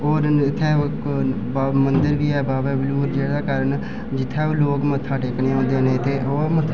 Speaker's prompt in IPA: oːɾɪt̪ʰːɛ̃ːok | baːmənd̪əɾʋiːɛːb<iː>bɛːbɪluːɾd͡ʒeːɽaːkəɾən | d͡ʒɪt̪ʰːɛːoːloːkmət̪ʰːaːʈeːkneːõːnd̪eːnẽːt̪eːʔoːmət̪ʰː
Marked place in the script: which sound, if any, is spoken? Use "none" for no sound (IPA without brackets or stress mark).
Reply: aː